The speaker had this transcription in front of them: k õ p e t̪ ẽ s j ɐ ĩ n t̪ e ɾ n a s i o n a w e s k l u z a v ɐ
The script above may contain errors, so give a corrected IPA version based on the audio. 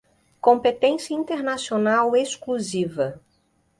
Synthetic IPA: k õ p e t̪ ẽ s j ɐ ĩ n t̪ e ɾ n a s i o n a w e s k l u z i v ɐ